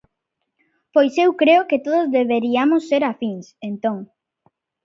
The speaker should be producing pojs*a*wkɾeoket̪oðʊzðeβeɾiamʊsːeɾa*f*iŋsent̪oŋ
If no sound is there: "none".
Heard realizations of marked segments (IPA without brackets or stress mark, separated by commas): e, f